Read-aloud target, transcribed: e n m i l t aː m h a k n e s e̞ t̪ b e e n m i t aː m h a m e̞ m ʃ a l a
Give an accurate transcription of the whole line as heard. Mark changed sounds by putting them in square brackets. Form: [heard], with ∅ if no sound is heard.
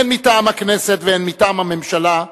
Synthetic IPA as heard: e n m i [∅] t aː m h a k n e s e̞ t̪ [v] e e n m i t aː m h a m e̞ m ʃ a l a

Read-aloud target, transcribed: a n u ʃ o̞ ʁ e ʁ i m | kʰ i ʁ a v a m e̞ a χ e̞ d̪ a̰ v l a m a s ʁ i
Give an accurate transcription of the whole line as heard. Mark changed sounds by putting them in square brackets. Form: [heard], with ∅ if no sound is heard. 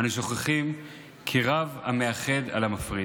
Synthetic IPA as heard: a n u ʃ o̞ [χ] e [χ] i m | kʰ i ʁ a v a m e̞ a χ e̞ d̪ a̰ [∅] l a m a [f] ʁ i

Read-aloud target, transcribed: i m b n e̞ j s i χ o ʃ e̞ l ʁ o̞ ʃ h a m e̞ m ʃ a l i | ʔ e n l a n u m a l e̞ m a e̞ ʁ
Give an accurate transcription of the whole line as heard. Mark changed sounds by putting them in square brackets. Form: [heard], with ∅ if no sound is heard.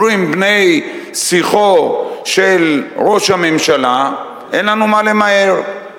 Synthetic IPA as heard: i m b n e̞ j s i χ o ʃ e̞ l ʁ o̞ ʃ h a m e̞ m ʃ a l [a] | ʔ e n l a n u m a l e̞ m a e̞ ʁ

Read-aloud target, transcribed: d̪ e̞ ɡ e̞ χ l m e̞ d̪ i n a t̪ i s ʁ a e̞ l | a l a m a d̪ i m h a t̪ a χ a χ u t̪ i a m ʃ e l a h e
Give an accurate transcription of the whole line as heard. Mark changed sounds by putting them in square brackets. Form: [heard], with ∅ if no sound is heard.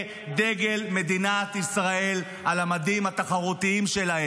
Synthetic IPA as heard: d̪ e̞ ɡ e̞ [∅] l m e̞ d̪ i n a t̪ i s ʁ a e̞ l | a l a m a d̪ i m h a t̪ a χ a [ʁ] u t̪ i [i] m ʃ e l a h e

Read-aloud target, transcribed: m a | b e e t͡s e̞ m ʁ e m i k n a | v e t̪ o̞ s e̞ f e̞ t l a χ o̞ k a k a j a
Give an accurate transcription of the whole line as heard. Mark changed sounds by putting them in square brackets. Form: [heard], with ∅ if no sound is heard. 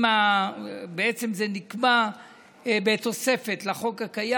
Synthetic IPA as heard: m a | b e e t͡s e̞ m [z] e [n] i k [m] a | [b] e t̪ o̞ s e̞ f e̞ t l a χ o̞ k a k a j a

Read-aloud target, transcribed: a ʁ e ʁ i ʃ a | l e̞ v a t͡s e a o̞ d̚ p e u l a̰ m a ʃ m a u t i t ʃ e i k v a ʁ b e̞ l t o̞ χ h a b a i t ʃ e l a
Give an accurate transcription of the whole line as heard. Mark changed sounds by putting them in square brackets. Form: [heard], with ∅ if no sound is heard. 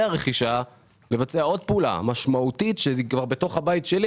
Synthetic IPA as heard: a ʁ e [χ] i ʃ a | l e̞ v a t͡s e a o̞ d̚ p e u l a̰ m a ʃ m a u t i t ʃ e i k v a ʁ b e̞ [∅] t o̞ χ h a b a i t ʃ e l [i]

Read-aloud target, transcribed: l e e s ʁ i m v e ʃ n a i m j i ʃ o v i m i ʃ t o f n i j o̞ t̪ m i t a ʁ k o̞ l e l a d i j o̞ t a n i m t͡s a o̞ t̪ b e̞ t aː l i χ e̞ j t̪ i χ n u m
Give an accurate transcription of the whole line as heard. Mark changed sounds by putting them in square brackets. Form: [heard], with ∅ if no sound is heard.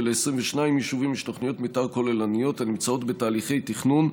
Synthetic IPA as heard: l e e s ʁ i m v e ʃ n a i m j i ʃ [u] v i m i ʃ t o [χ] n i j o̞ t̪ m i t a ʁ k o̞ l e l a [n] i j o̞ t a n i m t͡s a o̞ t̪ b e̞ t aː l i χ e̞ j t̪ i χ n u [n]

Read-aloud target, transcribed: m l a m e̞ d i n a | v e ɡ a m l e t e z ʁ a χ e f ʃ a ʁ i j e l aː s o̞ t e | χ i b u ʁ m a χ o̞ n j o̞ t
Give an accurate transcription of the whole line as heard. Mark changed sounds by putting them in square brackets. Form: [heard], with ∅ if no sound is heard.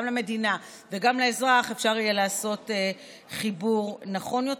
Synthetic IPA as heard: m l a m e̞ d i n a | v e ɡ a m l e [∅] e z ʁ a χ e f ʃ a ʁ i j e l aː s o̞ t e | χ i b u ʁ [n] a χ o̞ n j o̞ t

